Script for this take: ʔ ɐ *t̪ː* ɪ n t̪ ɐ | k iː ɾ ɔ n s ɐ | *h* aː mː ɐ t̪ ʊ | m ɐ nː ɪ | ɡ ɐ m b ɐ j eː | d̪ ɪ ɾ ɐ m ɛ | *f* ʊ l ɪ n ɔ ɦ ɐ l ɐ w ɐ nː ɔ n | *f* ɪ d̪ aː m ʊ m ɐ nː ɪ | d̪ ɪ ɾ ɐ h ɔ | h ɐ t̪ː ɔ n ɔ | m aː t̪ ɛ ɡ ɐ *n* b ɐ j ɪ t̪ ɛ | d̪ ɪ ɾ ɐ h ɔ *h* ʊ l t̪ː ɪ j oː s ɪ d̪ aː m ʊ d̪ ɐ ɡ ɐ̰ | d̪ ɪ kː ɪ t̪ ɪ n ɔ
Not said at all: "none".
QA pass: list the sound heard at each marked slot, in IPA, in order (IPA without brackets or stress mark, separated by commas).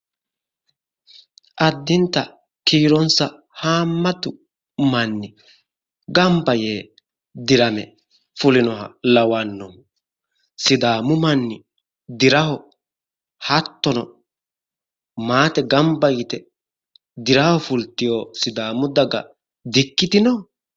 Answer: d̪ː, h, f, s, m, f